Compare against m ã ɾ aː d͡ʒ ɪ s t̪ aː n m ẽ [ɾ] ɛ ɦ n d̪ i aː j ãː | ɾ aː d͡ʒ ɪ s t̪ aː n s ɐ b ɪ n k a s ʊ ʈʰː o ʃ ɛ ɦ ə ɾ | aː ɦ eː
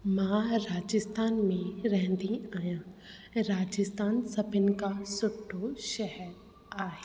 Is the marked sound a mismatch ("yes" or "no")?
no